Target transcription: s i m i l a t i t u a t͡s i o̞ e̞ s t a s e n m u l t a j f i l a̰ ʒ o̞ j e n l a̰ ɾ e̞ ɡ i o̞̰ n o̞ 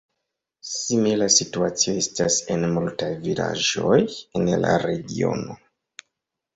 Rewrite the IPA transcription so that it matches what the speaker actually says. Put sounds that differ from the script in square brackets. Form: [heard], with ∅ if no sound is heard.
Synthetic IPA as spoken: s i m i l a [s] i t u a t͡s i o̞ e̞ s t a s e n m u l t a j [v] i l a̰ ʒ o̞ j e n l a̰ ɾ e̞ ɡ i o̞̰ n o̞